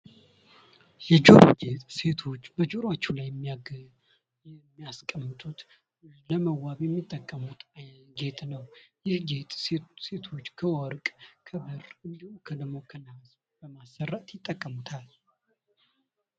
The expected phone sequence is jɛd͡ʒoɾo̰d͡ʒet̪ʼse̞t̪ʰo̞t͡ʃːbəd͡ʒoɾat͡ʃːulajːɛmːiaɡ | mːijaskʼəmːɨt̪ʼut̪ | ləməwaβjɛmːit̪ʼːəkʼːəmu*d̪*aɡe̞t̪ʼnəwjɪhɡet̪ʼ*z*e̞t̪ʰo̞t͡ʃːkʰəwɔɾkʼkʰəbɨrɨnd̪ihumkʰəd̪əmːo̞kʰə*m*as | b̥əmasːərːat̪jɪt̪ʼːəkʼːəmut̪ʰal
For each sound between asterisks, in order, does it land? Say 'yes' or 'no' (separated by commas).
no, no, no